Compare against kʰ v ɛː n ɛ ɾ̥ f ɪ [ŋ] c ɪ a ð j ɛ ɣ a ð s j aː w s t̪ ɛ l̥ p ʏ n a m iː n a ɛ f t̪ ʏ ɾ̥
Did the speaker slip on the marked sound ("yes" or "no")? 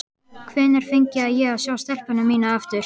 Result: yes